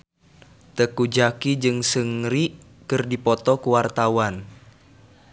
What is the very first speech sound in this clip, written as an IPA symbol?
t̪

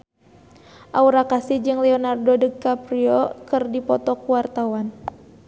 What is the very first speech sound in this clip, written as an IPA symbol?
ʔ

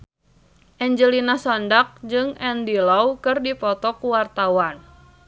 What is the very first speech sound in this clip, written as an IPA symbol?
ʔ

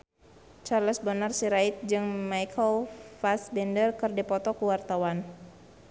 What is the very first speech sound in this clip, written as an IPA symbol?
t͡ʃ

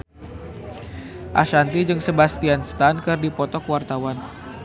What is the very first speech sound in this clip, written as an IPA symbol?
ʔ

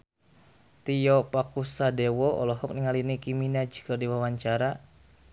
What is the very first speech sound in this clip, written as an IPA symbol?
t̪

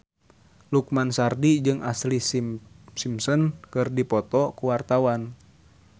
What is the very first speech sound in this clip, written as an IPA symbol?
l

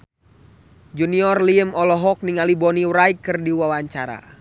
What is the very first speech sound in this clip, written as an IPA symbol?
d͡ʒ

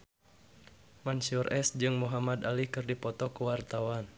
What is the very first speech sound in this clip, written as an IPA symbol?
m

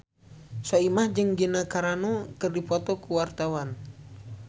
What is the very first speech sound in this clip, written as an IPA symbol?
s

